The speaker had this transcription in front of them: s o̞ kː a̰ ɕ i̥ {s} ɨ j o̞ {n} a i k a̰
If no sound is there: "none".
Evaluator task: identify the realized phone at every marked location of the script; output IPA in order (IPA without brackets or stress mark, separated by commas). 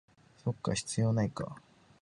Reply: t͡s, n